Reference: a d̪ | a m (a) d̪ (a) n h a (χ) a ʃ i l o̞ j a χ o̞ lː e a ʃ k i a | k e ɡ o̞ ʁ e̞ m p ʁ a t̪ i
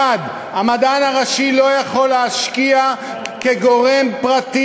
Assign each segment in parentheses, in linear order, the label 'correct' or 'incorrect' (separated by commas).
correct, correct, incorrect